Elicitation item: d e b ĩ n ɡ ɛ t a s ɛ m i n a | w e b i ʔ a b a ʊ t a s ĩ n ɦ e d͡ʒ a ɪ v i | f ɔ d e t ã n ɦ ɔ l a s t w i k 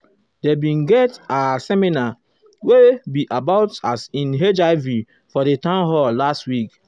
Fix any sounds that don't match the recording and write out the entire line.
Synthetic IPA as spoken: d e b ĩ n ɡ ɛ t a s ɛ m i n a | w e b i ʔ a b a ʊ t a s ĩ n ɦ e d͡ʒ a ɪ v i | f ɔ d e t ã n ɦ ɔ l a s t w i k

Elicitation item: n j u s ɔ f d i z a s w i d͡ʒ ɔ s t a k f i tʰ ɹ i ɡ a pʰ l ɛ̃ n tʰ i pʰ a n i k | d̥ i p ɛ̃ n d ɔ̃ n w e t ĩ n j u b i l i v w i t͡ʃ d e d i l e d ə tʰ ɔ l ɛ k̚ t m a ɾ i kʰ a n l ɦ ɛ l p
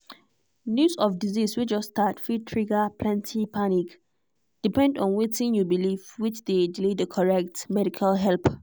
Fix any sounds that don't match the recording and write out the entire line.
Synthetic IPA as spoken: n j u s ɔ f d i z i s w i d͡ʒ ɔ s t a t f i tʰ ɹ i ɡ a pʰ l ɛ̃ n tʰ i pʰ a n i k | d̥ i p ɛ̃ n d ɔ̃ n w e t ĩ n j u b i l i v w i t͡ʃ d e d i l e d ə kʰ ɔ ɹ ɛ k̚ t m ɛ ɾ i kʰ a l ɦ ɛ l p

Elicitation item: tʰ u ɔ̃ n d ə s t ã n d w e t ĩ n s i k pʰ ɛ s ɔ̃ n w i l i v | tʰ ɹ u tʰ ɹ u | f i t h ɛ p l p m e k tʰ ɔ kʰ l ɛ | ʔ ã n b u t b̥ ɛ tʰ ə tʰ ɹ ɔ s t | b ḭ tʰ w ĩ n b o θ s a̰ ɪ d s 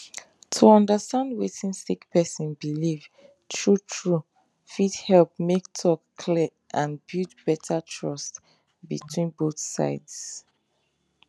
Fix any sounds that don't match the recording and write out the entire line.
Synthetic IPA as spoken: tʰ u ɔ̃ n d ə s t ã n d w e t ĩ n s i k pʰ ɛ s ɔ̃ n b i l i v | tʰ ɹ u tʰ ɹ u | f i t h ɛ l p m e k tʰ ɔ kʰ l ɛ | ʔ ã n b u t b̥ ɛ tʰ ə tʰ ɹ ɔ s t | b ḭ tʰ w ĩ n b o θ s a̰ ɪ d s

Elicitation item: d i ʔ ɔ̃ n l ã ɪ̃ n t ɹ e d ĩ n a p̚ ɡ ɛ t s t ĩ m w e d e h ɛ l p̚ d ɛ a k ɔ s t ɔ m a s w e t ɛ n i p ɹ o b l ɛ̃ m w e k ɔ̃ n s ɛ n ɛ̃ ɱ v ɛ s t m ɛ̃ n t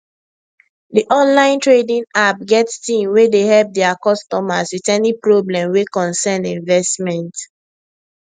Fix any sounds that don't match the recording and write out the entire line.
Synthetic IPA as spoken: d i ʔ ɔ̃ n l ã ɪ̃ n t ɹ e d ĩ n a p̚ ɡ ɛ t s t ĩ m w e d e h ɛ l p̚ d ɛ a k ɔ s t ɔ m a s w i t ɛ n i p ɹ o b l ɛ̃ m w e k ɔ̃ n s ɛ n ĩ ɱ v ɛ s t m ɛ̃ n t

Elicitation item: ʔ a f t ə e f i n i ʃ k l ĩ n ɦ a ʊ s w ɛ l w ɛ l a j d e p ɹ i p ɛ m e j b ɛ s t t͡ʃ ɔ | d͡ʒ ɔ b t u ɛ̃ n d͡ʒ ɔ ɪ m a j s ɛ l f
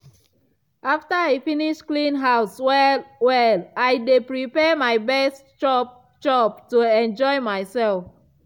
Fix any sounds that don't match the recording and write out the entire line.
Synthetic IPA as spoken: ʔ a f t ə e f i n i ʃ k l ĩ n ɦ a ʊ s w ɛ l w ɛ l a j d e p ɹ i p ɛ m a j b ɛ s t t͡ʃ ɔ | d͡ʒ ɔ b t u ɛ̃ n d͡ʒ ɔ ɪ m a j s ɛ l f

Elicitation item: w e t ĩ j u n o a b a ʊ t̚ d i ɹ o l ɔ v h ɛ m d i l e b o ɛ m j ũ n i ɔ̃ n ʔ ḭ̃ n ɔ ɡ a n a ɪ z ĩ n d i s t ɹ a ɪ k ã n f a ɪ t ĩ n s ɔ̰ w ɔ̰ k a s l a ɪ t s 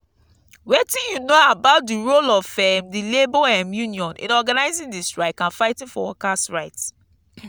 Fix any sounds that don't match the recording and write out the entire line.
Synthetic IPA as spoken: w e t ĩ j u n o a b a ʊ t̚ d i ɹ o l ɔ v f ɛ m d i l e b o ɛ m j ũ n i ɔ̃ n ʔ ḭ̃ n ɔ ɡ a n a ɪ z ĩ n d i s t ɹ a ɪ k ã n f a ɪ t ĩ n f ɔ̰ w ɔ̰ k a s ɹ a ɪ t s

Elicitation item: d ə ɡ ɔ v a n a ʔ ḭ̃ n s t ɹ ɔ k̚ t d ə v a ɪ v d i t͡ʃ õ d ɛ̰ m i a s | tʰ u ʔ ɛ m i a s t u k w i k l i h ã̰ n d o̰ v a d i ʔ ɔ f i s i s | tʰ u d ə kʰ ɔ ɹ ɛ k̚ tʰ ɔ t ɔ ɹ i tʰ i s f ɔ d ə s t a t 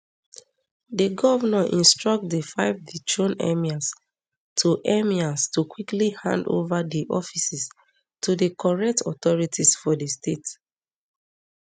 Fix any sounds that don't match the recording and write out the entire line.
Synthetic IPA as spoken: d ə ɡ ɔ v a n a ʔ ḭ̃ n s t ɹ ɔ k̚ t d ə f a ɪ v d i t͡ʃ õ n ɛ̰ m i a s | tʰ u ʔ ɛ m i a s t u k w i k l i h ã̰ n d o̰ v a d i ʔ ɔ f i s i s | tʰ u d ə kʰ ɔ ɹ ɛ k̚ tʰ ɔ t ɔ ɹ i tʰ i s f ɔ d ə s t e t

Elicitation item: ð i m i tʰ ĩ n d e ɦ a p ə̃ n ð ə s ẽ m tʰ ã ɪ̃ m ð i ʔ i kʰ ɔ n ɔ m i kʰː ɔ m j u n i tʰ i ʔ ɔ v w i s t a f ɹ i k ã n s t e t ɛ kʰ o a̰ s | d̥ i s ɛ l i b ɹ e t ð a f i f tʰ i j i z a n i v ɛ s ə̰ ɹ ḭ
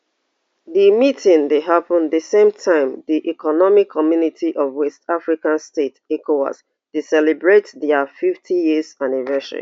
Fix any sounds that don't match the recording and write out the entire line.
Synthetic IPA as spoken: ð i m i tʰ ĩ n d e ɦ a p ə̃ n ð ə s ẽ m tʰ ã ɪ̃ m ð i ʔ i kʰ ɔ n ɔ m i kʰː ɔ m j u n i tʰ i ʔ ɔ v w ɛ s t a f ɹ i k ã n s t e t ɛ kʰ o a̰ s | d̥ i s ɛ l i b ɹ e t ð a f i f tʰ i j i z a n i v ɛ s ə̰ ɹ ḭ

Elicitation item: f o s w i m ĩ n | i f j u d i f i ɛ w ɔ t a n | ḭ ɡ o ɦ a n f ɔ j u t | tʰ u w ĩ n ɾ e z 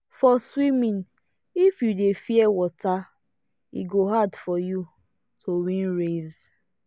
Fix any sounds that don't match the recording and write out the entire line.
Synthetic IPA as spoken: f ɔ s w i m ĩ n | i f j u d e f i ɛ w ɔ t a | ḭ ɡ o ɦ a d f ɔ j u | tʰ o w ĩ n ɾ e z

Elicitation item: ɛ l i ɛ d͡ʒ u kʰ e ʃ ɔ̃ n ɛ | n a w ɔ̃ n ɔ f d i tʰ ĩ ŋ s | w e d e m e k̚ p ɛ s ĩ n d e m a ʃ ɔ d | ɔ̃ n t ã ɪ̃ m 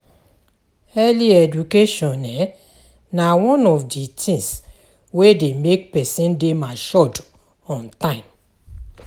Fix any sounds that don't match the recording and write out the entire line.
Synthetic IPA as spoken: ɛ l i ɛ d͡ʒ u k e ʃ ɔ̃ n ɛ | n a w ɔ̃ n ɔ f d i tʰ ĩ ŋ s | w e d e m e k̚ p ɛ s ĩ n d e m a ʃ ɔ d | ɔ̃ n t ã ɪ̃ m

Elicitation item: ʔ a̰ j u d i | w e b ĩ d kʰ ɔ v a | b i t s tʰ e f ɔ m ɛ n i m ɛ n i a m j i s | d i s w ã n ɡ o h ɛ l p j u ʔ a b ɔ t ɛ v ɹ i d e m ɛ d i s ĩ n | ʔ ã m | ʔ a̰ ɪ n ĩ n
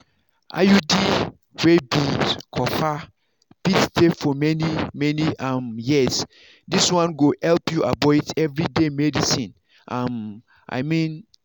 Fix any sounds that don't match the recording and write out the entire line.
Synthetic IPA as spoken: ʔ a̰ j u d i | w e b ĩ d kʰ ɔ f a | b i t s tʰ e f ɔ m ɛ n i m ɛ n i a m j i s | d i s w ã n ɡ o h ɛ l p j u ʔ a b ɔ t ɛ v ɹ i d e m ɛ d i s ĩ n | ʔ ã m | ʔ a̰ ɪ m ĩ n

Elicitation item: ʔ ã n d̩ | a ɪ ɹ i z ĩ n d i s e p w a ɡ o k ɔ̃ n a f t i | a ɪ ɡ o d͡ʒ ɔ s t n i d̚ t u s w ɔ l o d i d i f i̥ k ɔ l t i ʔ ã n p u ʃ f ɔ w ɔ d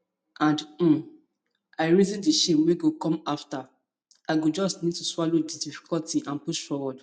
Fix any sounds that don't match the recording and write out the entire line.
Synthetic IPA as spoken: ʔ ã n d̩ | a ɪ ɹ i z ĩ n d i ʃ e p w e ɡ o k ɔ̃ m a f t a | a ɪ ɡ o d͡ʒ ɔ s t n i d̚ t u s w ɔ l o d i d i f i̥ k ɔ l t i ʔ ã n p u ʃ f ɔ w ɔ d

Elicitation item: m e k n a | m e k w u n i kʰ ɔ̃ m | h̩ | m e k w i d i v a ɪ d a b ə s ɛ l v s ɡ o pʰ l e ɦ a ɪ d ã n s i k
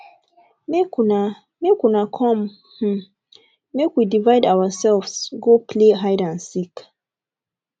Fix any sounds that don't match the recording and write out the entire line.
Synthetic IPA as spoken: m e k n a | m e k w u n a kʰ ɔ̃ m | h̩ | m e k w i d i v a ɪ d a w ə s ɛ l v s ɡ o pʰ l e ɦ a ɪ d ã n s i k

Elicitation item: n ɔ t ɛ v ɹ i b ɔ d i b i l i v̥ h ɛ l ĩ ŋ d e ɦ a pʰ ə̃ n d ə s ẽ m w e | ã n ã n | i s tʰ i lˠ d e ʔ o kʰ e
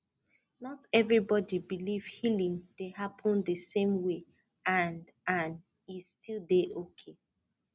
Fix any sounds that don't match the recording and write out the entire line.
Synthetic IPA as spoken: n ɔ t ɛ v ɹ i b ɔ d i b i l i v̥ h i l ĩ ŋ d e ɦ a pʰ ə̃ n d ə s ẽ m w e | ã n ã n | i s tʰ i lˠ d e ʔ o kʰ e

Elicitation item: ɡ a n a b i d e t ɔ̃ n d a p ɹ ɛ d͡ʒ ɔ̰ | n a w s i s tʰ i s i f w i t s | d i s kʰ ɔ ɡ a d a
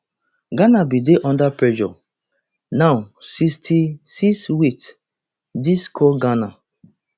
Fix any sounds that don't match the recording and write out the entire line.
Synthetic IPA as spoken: ɡ a n a b i d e ʔ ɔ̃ n d a p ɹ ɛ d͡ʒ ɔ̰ | n a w s i s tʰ i s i s w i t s | d i s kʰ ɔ ɡ a n a

